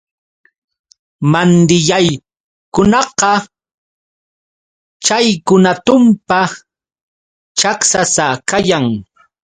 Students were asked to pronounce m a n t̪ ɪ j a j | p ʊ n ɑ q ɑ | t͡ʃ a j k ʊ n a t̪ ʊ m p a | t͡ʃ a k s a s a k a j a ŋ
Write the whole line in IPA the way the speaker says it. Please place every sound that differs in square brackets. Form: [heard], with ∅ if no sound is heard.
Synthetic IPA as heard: m a n [d̪] ɪ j a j | [k] ʊ n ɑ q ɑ | t͡ʃ a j k ʊ n a t̪ ʊ m p a | t͡ʃ a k s a s a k a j a ŋ